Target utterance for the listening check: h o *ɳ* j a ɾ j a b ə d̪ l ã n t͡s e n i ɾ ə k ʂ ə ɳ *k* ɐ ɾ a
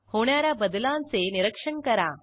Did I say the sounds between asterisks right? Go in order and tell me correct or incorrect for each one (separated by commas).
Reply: correct, correct